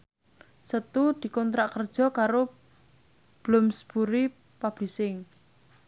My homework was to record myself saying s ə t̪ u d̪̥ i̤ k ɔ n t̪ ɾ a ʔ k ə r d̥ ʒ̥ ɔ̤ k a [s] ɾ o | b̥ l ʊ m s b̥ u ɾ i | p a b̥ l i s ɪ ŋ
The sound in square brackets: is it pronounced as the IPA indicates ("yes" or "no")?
no